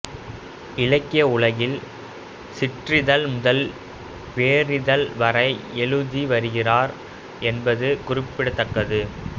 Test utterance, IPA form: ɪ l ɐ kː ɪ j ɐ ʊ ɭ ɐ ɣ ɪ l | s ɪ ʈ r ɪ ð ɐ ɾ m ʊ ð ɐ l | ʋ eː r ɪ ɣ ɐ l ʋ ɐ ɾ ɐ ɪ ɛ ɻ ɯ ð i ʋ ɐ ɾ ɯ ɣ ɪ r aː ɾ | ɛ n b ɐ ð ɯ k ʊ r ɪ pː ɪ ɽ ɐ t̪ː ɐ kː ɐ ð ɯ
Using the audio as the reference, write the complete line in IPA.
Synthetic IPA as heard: ɪ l ɐ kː ɪ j ɐ ʊ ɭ ɐ ɣ ɪ l | s ɪ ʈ r ɪ ð ɐ l m ʊ ð ɐ l | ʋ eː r ɪ ð ɐ l ʋ ɐ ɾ ɐ ɪ ɛ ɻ ɯ ð i ʋ ɐ ɾ ɯ ɣ ɪ r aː ɾ | ɛ n b ɐ ð ɯ k ʊ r ɪ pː ɪ ɽ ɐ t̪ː ɐ kː ɐ ð ɯ